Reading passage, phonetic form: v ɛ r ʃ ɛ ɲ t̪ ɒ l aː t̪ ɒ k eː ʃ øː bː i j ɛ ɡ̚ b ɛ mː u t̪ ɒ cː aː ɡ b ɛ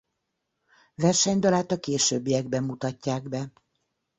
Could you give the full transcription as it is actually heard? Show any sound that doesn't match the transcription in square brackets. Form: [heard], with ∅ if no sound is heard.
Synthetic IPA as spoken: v ɛ r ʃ ɛ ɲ [d̪] ɒ l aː t̪ ɒ k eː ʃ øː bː i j ɛ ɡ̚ b ɛ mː u t̪ ɒ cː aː ɡ b ɛ